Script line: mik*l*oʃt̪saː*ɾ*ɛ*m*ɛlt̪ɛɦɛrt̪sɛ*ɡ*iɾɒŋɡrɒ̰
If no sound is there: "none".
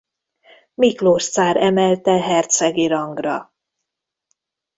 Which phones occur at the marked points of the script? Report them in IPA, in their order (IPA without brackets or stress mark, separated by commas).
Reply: l, ɾ, m, ɡ